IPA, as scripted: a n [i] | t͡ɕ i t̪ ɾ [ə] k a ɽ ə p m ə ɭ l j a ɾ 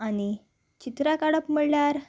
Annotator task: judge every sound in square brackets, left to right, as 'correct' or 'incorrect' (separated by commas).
correct, incorrect